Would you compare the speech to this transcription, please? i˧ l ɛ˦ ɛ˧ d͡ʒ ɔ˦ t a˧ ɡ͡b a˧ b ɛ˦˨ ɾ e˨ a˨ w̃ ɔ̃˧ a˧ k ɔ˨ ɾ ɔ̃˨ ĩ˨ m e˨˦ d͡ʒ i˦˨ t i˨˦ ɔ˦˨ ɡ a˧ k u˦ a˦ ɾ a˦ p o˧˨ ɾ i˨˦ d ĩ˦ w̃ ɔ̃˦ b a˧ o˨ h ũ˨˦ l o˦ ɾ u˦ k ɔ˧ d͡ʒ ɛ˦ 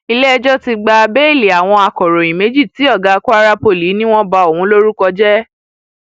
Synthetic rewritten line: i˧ l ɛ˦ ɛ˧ d͡ʒ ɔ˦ t i˧ ɡ͡b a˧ b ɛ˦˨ l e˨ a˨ w̃ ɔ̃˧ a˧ k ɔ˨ ɾ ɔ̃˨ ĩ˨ m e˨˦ d͡ʒ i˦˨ t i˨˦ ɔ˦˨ ɡ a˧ k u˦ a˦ ɾ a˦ p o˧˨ l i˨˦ n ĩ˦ w̃ ɔ̃˦ b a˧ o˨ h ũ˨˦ l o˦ ɾ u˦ k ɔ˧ d͡ʒ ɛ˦

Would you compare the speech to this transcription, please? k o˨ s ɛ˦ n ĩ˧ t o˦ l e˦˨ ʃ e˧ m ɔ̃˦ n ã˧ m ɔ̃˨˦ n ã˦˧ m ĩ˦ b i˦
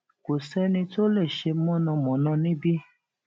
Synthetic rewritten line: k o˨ s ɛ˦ n ĩ˧ t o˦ l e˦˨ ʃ e˧ m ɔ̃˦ n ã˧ m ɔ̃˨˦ n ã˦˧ n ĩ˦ b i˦

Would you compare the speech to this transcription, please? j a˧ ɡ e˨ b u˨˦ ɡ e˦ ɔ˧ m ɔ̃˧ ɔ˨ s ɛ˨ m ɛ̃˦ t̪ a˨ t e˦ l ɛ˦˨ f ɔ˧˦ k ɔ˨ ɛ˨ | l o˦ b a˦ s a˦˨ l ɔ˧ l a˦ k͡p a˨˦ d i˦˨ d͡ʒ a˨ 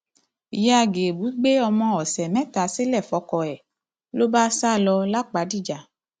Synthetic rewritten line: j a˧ ɡ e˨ b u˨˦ ɡ͡b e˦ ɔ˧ m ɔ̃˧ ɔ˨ s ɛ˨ m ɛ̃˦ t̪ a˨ s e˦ l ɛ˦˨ f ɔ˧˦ k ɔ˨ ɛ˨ | l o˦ b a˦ s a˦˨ l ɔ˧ l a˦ k͡p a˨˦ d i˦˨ d͡ʒ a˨

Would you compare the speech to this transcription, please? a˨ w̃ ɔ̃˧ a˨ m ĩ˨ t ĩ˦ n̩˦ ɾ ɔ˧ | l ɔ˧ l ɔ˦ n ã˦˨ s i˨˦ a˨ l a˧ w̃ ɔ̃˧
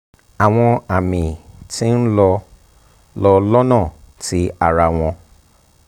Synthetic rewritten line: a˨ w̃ ɔ̃˧ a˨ m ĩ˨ t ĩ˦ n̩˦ l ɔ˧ | l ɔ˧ l ɔ˦ n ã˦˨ t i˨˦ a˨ ɾ a˧ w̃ ɔ̃˧

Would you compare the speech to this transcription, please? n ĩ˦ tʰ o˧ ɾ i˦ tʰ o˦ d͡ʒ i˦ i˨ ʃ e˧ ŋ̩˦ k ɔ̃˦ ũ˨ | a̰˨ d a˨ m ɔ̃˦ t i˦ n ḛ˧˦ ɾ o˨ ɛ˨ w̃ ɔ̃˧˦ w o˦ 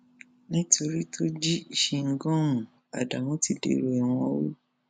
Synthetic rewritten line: n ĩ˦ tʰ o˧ ɾ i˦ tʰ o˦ d͡ʒ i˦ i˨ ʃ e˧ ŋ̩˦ ɡ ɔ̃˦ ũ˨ | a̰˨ d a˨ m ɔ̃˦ t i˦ d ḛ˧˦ ɾ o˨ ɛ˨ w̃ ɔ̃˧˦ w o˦

